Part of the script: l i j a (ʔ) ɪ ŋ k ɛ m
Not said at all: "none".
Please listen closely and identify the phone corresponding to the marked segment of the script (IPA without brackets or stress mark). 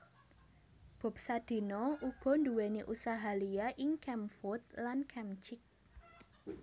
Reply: ʔ